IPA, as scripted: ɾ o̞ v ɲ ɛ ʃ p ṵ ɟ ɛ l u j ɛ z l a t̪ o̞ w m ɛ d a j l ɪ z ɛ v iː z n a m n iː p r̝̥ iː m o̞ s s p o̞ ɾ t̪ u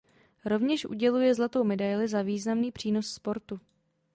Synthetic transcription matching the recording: ɾ o̞ v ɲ ɛ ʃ ʔ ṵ ɟ ɛ l u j ɛ z l a t̪ o̞ w m ɛ d a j l ɪ z a v iː z n a m n iː p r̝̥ iː n o̞ s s p o̞ ɾ t̪ u